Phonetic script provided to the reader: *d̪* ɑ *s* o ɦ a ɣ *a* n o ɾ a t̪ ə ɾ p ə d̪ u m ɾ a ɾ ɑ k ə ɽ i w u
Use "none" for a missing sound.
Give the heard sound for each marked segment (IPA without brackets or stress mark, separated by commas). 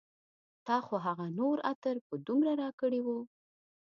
t̪, x, a